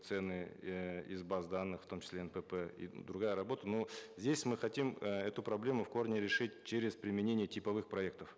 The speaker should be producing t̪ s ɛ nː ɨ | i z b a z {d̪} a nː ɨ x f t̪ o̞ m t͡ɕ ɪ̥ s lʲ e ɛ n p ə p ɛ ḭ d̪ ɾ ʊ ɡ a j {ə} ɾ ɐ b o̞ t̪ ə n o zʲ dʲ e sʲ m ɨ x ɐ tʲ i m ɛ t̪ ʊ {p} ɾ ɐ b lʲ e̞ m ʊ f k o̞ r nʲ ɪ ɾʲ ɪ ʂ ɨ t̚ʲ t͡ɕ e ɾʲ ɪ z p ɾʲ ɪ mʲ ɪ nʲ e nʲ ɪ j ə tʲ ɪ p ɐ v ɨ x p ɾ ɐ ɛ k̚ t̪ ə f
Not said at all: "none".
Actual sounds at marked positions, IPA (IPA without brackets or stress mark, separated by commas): d̪, ə, p